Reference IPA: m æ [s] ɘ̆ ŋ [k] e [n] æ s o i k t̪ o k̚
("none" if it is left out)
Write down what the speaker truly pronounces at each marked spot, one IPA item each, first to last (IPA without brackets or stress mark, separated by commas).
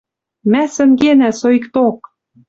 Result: s, ɡ, n